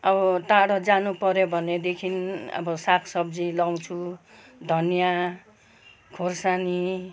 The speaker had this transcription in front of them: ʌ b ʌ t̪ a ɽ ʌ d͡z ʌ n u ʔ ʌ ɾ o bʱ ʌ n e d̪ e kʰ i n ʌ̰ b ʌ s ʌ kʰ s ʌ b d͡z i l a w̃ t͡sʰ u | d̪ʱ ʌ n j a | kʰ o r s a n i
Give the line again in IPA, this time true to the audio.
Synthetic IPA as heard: ʌ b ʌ t̪ a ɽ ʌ d͡z a n u p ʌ ɾ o bʱ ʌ n e d̪ e kʰ i n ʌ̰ b ʌ s a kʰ s ʌ b d͡z i l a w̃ t͡sʰ u | d̪ʱ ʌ n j a | kʰ o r s a n i

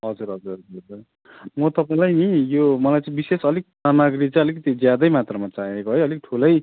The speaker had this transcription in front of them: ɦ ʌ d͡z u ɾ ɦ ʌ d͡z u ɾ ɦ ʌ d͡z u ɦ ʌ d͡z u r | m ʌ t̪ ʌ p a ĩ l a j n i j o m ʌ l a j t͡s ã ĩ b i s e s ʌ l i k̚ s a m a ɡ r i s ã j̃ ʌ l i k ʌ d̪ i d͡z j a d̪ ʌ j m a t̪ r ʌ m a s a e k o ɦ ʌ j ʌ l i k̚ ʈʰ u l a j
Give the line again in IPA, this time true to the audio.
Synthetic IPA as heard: ɦ ʌ d͡z u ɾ ɦ ʌ d͡z u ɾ ɦ ʌ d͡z u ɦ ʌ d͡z u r | m ʌ t̪ ʌ p a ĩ l a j n i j o m ʌ l a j t͡s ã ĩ b i s e s ʌ l i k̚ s a m a ɡ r i t͡s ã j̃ ʌ l i k ʌ t̪ i d͡z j a d̪ ʌ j m a t̪ r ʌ m a t͡s a e k o ɦ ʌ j ʌ l i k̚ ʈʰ u l ʌ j

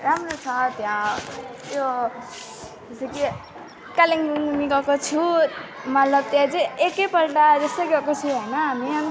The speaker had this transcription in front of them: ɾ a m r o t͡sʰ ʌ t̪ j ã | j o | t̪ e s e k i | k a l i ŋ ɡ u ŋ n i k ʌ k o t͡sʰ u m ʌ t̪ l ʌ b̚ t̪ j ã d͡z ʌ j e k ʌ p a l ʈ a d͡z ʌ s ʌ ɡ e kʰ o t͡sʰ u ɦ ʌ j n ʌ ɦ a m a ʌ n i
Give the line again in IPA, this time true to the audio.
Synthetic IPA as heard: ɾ a m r o t͡sʰ ʌ t̪ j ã | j o | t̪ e s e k i | k a l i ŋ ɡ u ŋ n i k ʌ k o t͡sʰ u m ʌ t̪ l ʌ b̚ t̪ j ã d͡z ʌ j e k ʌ p ʌ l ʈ a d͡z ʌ s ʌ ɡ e k o t͡sʰ u ɦ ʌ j n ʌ ɦ a m i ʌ n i

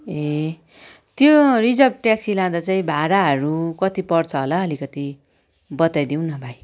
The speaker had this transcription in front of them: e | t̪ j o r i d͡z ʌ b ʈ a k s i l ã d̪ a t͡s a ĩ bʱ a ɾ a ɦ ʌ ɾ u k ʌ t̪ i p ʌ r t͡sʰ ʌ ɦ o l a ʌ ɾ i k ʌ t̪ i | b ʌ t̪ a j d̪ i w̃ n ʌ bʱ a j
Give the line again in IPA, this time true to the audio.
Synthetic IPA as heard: e | t̪ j o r i d͡z ʌ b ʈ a k s i l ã d̪ a t͡s a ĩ bʱ a ɾ a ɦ ʌ ɾ u k ʌ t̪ i p ʌ r t͡sʰ ʌ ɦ o l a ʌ l i k ʌ t̪ i | b ʌ t̪ a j d̪ i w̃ n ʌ bʱ a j

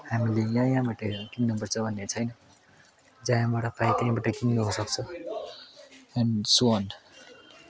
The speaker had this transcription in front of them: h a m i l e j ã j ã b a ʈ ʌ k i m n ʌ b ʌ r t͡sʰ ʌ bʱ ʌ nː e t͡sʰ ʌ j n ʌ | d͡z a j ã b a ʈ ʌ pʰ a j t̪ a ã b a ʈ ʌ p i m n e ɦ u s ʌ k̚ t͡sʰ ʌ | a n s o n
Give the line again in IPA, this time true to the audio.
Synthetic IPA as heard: h a m i l e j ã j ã b a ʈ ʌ k i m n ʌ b ʌ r t͡sʰ ʌ bʱ ʌ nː e t͡sʰ ʌ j n ʌ | d͡z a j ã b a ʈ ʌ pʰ a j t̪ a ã b a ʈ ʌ k i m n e ɦ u s ʌ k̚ t͡sʰ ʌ | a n s o n

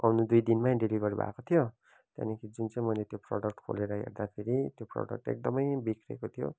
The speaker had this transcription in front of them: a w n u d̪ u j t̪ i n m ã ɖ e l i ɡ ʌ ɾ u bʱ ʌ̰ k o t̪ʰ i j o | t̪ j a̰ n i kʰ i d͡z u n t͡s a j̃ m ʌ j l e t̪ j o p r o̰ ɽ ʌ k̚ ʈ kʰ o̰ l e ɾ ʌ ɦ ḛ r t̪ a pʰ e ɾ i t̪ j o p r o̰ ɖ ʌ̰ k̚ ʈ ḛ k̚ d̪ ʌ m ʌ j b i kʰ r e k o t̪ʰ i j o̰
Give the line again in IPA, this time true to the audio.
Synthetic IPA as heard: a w n u d̪ u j d̪ i n m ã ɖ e l i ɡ ʌ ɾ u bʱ a̰ k o t̪ʰ i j o | t̪ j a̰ n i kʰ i d͡z u n t͡s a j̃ m ʌ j l e t̪ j o p r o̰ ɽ ʌ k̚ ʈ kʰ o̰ l e ɾ ʌ ɦ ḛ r d̪ a pʰ e ɾ i t̪ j o p r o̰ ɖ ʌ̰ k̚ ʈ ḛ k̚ d̪ ʌ m ʌ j b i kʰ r e k o t̪ʰ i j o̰

